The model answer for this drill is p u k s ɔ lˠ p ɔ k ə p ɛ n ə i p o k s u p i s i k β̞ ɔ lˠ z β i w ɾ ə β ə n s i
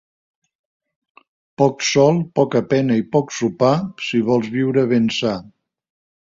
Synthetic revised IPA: p ɔ k s ɔ lˠ p ɔ k ə p ɛ n ə i p ɔ k s u p a s i β̞ ɔ lˠ z β i w ɾ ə β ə n s a